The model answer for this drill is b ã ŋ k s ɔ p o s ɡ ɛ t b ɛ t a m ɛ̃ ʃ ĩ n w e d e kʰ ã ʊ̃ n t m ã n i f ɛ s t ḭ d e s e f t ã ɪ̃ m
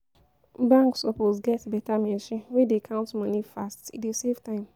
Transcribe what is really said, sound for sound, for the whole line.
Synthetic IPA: b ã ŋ k s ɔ p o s ɡ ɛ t b ɛ t a m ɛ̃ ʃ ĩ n w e d e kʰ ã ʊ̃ n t m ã n i f a s t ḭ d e s e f t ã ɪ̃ m